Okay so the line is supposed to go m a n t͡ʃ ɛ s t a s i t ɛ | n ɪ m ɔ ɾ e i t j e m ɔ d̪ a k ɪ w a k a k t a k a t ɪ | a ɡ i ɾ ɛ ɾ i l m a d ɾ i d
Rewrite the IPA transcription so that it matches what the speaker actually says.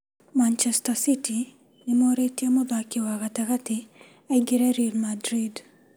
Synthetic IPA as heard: m a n t͡ʃ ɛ s t a s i t i | n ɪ m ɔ ɾ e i t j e m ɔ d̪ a k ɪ w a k a t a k a t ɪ | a ɡ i ɾ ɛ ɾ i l m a d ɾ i d